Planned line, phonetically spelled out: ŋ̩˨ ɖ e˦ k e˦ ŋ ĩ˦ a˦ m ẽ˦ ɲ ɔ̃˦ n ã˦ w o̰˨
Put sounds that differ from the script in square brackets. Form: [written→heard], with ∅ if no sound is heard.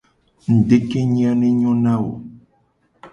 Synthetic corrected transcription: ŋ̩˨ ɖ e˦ k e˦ [ŋ→ɲ] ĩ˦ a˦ [m→n] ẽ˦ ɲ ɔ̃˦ n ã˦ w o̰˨